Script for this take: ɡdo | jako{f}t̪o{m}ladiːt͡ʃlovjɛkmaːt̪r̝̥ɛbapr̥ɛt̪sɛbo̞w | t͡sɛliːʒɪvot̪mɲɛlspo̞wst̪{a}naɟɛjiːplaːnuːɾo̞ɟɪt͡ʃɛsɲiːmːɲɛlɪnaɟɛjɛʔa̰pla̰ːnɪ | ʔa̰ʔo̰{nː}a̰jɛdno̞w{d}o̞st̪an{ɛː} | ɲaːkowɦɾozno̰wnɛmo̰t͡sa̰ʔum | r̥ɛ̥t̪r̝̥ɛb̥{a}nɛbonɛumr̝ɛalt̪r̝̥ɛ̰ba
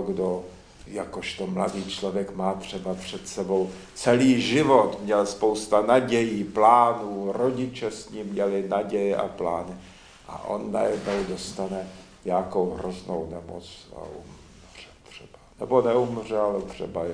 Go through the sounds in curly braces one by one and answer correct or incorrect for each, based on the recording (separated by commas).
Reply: incorrect, correct, correct, correct, correct, incorrect, correct